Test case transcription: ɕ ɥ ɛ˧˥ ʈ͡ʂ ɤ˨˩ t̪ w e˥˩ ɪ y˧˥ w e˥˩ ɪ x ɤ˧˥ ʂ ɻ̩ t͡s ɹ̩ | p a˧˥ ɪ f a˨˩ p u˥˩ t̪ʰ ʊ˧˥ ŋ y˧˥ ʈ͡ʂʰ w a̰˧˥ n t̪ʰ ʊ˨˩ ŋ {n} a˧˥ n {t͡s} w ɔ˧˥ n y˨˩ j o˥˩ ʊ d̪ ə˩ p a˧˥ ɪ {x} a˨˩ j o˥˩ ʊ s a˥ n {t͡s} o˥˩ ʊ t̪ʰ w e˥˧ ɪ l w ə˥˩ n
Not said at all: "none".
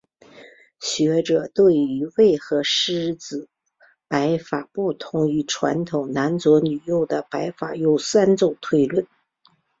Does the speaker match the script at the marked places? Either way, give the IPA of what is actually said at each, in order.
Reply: n, t͡s, f, t͡s

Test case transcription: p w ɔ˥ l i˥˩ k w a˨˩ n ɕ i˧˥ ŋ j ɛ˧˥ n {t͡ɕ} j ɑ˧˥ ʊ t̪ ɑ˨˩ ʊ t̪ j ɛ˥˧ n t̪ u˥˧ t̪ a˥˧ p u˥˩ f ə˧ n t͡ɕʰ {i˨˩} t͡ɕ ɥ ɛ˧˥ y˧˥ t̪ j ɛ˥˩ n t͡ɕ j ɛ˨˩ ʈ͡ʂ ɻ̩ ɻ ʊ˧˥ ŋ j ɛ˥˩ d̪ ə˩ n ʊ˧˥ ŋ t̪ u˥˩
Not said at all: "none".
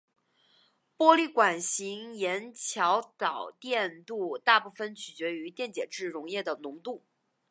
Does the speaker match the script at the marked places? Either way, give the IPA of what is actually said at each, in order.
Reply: t͡ɕʰ, y˨˩

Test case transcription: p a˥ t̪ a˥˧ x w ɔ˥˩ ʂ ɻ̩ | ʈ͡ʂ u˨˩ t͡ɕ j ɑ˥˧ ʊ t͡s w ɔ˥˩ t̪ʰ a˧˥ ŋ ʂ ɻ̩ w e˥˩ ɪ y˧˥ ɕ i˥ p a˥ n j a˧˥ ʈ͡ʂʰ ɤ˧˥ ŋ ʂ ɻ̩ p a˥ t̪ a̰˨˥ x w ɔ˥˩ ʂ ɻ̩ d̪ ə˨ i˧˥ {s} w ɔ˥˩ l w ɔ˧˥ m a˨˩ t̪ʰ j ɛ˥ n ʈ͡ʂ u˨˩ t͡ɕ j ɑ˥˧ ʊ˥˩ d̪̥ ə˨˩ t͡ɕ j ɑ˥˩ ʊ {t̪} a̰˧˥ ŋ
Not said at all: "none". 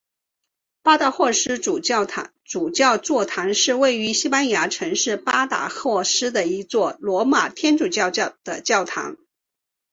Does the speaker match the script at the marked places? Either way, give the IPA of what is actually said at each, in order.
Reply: t͡s, t̪ʰ

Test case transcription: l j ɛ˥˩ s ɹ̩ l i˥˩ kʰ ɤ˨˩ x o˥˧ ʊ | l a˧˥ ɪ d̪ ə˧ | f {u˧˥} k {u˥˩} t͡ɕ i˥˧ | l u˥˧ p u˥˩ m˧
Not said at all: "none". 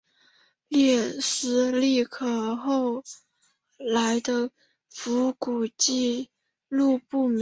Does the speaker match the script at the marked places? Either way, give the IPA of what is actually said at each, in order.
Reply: u˧˥, u˨˩

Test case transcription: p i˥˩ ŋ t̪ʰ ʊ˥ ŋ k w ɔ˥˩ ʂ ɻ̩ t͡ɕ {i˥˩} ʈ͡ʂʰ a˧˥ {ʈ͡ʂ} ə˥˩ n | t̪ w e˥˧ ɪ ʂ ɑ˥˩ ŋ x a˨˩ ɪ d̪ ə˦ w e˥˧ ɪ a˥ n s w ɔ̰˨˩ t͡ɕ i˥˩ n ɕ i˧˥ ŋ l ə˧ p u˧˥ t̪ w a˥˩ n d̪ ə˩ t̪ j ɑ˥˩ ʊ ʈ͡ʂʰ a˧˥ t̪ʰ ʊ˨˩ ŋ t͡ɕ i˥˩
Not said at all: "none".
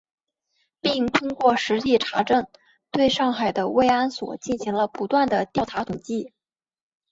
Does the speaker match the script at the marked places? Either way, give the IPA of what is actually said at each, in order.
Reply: i˥˩, ʈ͡ʂ

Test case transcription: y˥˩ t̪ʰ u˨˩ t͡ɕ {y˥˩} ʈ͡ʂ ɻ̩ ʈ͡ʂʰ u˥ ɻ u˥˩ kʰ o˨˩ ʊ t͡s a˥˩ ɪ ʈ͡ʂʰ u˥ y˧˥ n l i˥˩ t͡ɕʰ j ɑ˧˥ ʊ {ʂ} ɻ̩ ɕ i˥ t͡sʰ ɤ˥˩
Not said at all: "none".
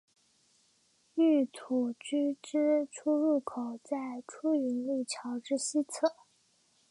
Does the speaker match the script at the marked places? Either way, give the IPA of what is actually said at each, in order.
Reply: y˥, ʈ͡ʂ

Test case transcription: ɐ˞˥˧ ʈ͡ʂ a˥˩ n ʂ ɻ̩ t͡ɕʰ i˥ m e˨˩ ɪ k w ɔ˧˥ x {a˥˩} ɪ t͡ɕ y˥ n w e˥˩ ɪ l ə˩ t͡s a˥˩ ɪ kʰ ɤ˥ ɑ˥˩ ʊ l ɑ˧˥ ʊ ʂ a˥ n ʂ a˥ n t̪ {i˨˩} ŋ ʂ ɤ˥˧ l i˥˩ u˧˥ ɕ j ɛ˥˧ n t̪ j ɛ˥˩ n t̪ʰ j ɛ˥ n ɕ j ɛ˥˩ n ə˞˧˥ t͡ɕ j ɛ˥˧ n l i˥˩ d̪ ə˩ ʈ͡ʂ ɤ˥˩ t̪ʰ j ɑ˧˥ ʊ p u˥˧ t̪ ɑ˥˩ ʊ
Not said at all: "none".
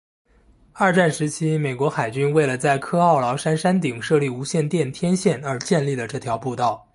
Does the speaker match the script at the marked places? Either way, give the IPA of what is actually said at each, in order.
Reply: a˨˩, i˨˩

